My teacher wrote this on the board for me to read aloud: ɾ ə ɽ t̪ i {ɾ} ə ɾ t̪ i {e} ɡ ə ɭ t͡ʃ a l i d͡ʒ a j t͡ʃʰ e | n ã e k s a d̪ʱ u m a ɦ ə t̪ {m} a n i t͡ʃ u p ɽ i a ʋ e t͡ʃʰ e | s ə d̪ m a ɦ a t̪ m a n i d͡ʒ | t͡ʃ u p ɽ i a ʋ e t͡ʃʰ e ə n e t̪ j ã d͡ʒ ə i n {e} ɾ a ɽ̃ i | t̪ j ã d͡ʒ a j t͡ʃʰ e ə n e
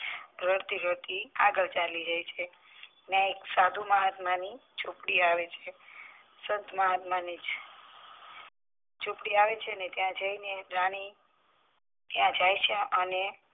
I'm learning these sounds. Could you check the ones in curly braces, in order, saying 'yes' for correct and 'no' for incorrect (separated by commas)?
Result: yes, no, yes, yes